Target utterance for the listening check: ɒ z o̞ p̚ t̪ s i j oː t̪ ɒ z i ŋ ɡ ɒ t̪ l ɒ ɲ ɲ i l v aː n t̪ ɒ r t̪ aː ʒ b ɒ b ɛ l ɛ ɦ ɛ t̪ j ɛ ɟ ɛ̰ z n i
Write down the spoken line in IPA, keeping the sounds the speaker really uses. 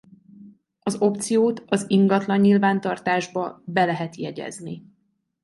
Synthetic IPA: ɒ z o̞ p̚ t̪ s i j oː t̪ ɒ z i ŋ ɡ ɒ t̪ l ɒ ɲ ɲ i l v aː n t̪ ɒ r t̪ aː ʒ b ɒ b ɛ l ɛ ɦ ɛ t̪ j ɛ ɟ ɛ̰ z n i